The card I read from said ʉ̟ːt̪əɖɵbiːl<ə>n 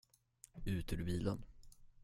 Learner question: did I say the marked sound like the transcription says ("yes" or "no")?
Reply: yes